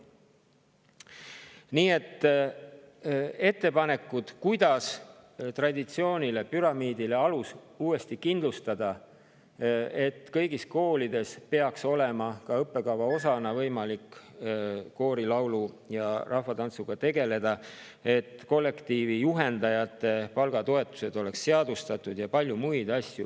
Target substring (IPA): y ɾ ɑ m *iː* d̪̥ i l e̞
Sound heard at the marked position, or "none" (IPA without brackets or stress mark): iː